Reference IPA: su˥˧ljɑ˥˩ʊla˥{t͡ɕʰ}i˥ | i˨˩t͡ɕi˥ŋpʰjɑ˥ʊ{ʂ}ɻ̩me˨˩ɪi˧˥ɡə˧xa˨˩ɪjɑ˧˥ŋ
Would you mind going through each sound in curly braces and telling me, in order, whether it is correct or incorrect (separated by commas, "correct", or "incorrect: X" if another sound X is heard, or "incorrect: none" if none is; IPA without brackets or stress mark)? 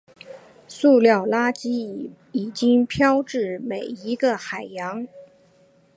incorrect: t͡ɕ, incorrect: ʈ͡ʂ